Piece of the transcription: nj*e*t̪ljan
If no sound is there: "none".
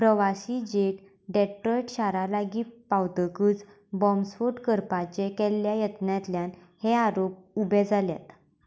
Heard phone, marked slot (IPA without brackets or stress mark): a